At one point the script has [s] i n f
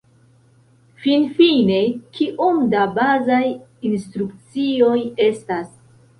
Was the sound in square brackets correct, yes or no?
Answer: no